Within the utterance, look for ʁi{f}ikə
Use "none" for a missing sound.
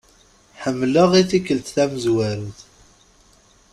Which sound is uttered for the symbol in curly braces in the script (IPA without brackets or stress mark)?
θ